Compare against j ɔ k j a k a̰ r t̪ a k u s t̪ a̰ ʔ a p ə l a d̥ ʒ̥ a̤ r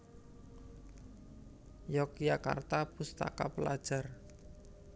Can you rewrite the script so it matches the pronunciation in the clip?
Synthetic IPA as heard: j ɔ k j a k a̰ r t̪ a p u s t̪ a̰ k a p ə l a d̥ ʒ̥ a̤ r